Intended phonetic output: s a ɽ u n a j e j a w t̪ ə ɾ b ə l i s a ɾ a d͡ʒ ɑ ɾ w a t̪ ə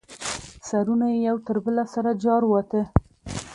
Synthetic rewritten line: s a ɾ u n a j e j a w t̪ ə ɾ b ə l a s a ɾ a d͡ʒ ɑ ɾ w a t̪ ə